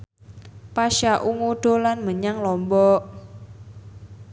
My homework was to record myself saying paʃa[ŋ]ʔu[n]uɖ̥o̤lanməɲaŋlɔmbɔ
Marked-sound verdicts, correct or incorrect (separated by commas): incorrect, incorrect